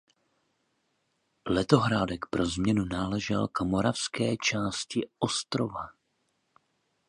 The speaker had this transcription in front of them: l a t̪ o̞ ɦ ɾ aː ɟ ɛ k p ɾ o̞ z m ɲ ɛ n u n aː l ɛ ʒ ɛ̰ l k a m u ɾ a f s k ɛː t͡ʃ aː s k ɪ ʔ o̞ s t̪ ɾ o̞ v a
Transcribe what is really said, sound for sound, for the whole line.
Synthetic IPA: l ɛ t̪ o̞ ɦ ɾ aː d ɛ k p ɾ o̞ z m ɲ ɛ n u n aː l ɛ ʒ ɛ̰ l k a m o ɾ a f s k ɛː t͡ʃ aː s c ɪ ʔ o̞ s t̪ ɾ o̞ v a